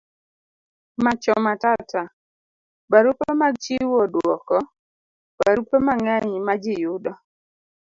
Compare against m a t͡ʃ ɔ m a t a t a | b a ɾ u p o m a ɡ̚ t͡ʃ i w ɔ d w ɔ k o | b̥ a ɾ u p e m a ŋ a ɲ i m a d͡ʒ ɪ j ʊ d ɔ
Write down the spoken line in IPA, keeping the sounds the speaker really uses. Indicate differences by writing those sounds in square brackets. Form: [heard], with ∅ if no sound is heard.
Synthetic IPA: m a t͡ʃ ɔ m a t a t a | b a ɾ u p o m a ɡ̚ t͡ʃ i w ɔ d w ɔ k [ɔ] | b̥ a ɾ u p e m a ŋ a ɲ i m a d͡ʒ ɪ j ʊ d ɔ